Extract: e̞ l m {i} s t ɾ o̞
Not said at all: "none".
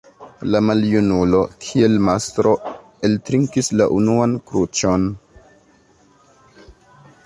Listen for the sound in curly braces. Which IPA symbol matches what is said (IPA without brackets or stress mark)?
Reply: a